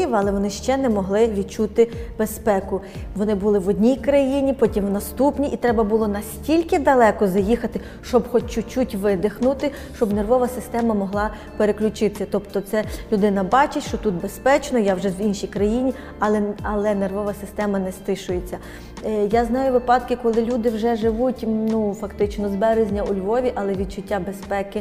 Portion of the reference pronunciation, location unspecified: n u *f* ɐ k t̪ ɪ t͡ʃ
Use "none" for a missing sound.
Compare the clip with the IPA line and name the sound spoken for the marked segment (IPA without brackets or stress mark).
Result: f